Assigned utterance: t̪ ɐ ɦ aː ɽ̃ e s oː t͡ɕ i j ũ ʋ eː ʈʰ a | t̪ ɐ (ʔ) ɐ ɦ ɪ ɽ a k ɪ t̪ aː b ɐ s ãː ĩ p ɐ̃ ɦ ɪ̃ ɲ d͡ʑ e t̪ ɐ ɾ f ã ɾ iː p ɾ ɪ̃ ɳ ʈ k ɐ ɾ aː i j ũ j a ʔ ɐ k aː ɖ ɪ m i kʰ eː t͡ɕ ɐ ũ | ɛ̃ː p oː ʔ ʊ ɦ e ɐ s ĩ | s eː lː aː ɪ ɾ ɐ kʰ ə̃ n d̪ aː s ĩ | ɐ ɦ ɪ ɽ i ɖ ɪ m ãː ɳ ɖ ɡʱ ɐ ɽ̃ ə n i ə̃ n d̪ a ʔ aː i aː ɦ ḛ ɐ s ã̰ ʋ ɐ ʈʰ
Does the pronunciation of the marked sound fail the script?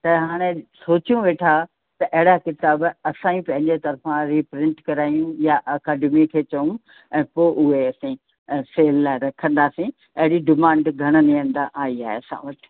no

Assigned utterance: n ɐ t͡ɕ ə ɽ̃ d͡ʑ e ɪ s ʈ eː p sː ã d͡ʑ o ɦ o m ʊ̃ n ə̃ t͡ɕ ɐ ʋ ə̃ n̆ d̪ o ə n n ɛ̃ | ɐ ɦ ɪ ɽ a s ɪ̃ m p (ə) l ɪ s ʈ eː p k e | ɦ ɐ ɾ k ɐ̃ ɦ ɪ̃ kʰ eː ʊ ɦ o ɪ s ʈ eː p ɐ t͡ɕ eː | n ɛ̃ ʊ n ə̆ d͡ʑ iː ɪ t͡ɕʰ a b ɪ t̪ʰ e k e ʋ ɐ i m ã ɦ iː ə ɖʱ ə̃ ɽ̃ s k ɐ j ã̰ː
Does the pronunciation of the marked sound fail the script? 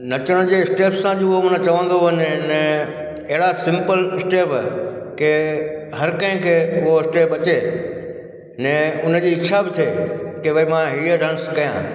no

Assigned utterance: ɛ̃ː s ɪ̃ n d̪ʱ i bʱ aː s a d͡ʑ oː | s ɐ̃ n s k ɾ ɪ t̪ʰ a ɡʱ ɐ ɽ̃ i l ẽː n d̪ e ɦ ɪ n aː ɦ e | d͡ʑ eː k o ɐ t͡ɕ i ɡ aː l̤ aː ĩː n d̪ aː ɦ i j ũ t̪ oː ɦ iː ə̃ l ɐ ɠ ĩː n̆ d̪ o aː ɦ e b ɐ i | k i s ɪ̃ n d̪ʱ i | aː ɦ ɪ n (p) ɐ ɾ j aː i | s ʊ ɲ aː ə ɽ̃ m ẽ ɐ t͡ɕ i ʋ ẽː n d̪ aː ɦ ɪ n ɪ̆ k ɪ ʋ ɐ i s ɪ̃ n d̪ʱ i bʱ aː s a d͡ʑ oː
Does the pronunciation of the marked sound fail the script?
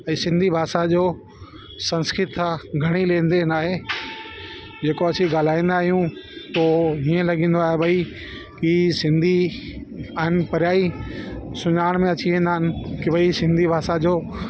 no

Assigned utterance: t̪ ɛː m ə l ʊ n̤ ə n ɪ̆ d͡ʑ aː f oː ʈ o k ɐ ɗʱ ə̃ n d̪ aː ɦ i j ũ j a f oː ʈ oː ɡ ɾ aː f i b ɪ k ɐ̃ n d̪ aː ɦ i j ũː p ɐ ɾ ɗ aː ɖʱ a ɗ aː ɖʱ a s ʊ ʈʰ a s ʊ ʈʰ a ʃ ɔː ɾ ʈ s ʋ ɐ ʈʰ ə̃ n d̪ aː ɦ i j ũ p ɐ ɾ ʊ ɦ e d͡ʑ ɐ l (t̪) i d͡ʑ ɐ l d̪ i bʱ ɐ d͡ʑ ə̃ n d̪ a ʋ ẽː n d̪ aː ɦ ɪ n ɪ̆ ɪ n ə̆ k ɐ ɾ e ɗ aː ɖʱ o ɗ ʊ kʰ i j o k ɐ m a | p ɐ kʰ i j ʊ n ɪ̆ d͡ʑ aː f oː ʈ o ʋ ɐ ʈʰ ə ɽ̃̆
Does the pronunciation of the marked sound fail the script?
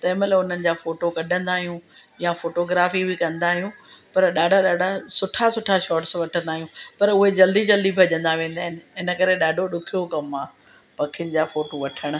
yes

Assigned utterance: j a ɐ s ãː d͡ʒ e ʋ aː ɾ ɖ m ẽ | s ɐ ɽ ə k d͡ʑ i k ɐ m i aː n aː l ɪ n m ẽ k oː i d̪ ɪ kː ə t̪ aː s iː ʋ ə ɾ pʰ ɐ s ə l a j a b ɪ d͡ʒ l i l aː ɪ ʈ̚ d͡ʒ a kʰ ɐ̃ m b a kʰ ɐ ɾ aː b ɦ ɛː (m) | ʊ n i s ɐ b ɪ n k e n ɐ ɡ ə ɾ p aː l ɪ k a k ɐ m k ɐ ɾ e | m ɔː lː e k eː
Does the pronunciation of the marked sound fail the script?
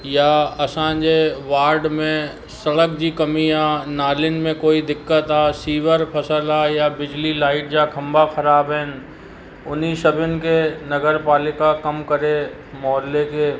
yes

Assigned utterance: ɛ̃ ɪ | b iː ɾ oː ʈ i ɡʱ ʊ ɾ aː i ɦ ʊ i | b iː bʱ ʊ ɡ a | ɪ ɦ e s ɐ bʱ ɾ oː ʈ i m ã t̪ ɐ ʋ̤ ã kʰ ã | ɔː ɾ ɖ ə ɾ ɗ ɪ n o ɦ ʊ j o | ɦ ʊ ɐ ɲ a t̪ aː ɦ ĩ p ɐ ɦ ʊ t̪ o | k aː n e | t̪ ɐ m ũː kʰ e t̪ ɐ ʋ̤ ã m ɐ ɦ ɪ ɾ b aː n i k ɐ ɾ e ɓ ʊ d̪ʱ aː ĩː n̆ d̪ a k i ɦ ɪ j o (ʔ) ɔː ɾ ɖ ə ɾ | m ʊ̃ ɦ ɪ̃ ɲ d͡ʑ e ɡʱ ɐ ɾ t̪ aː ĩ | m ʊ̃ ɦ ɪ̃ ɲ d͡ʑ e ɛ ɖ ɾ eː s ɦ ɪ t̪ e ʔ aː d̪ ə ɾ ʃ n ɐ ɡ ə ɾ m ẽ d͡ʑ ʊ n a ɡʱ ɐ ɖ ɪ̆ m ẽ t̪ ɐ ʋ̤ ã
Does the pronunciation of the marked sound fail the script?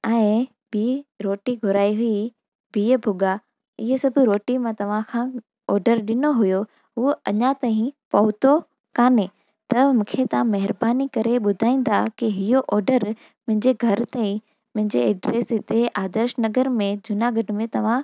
no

